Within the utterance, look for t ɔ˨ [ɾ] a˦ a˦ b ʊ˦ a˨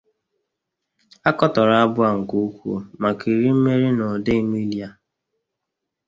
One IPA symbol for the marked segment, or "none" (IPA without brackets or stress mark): ɾ